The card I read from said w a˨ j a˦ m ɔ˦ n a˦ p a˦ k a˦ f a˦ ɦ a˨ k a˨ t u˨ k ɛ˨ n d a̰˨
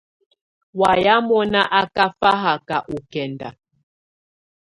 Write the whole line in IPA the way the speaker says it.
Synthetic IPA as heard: w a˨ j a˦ m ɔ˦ n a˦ ʔ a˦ k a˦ f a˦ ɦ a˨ k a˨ ʔ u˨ k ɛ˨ n d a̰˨